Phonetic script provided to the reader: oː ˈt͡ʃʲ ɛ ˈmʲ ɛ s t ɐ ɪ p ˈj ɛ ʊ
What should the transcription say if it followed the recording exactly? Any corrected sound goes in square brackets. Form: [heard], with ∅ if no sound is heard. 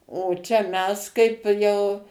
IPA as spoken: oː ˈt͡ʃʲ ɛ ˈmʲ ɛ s [k] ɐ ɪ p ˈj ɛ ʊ